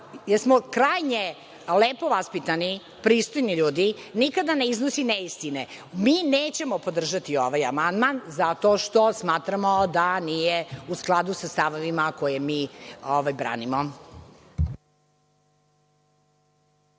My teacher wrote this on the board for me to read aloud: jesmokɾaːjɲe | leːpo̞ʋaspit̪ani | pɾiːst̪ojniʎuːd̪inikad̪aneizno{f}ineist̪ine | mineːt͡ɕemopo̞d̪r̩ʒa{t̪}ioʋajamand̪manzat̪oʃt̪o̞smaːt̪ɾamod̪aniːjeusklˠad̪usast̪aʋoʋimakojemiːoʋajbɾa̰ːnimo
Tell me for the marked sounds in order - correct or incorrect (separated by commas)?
incorrect, correct